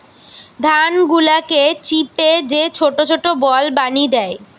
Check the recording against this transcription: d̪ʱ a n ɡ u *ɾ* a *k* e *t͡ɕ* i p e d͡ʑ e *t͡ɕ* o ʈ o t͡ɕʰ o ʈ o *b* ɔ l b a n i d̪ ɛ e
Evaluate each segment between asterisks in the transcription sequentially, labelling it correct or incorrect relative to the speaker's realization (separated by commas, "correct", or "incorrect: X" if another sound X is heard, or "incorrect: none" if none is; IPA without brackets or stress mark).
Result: incorrect: l, correct, correct, incorrect: t͡ɕʰ, correct